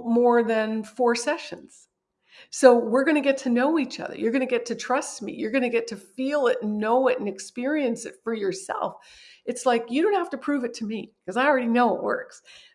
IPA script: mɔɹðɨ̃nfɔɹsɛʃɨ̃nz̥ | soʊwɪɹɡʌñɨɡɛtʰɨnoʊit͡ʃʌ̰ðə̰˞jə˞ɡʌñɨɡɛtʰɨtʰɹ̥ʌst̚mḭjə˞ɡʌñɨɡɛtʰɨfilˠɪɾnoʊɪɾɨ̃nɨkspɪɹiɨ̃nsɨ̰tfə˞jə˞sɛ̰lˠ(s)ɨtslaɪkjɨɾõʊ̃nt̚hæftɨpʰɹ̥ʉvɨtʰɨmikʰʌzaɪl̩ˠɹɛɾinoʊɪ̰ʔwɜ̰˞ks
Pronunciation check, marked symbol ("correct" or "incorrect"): incorrect